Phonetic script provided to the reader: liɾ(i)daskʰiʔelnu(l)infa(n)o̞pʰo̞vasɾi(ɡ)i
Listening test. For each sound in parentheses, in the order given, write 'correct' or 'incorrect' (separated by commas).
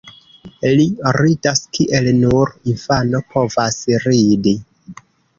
correct, incorrect, correct, incorrect